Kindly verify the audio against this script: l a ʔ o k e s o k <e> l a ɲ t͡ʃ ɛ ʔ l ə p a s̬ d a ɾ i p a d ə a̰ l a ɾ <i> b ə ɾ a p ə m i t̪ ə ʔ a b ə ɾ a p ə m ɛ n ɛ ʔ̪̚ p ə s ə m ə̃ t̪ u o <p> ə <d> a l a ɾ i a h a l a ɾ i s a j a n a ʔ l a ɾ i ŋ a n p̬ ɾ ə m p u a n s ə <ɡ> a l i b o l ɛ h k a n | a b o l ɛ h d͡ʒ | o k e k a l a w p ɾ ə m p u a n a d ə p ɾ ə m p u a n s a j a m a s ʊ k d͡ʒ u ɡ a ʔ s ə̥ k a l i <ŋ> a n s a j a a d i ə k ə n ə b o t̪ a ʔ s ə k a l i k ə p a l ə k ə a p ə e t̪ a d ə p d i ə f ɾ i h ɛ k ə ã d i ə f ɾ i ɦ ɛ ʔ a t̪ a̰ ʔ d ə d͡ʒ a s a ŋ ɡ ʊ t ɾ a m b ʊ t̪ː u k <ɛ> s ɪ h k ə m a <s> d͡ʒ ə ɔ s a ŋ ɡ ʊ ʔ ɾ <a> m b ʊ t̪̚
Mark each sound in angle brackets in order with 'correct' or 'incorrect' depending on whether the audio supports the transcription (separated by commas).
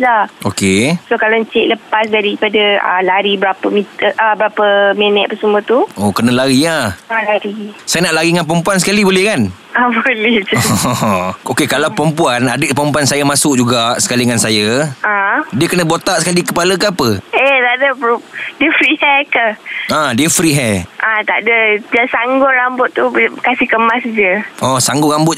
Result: incorrect, correct, incorrect, incorrect, incorrect, correct, incorrect, correct, correct